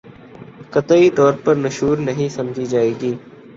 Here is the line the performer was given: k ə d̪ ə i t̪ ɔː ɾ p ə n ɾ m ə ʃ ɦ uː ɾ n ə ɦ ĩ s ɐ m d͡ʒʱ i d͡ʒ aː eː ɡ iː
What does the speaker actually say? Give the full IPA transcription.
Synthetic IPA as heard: k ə t̪ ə i t̪ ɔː ɾ p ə ɾ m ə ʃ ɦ uː ɾ n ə ɦ ĩ s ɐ m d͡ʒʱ i d͡ʒ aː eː ɡ iː